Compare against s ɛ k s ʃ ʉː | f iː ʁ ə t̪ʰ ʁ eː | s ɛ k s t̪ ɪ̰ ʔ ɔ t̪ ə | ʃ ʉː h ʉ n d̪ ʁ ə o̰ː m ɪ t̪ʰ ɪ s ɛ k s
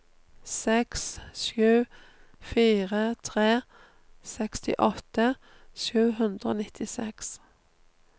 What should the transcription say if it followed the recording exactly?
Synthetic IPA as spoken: s ɛ k s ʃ ʉː | f iː ʁ ə t̪ʰ ʁ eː | s ɛ k s t̪ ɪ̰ ʔ ɔ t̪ ə | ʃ ʉː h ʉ n d̪ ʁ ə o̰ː n ɪ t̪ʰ ɪ s ɛ k s